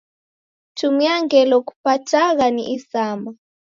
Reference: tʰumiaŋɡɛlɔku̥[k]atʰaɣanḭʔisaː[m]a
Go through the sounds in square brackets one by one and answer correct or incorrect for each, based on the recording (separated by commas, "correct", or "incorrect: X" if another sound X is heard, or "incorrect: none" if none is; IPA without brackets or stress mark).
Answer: incorrect: p, correct